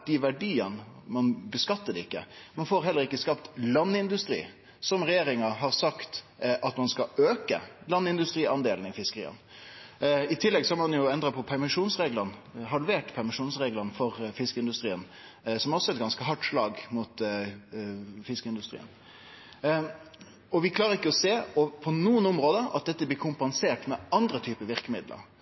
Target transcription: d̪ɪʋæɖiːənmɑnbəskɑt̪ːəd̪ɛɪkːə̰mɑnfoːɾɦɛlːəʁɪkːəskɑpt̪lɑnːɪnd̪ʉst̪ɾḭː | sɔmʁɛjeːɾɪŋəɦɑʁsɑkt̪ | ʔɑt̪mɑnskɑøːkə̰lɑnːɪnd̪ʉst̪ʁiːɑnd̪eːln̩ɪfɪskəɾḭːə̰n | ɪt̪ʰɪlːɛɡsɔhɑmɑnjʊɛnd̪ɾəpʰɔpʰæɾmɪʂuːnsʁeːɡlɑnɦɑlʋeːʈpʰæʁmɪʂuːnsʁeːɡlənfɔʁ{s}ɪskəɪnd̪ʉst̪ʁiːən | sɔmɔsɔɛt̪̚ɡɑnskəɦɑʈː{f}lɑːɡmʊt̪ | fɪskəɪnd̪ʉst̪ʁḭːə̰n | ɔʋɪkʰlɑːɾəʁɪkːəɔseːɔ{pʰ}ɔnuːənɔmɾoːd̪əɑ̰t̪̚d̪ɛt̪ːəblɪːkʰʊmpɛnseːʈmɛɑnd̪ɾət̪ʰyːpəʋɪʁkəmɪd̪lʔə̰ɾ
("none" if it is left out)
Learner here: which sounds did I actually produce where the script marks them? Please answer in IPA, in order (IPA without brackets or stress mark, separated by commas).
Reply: f, ʂ, pʰ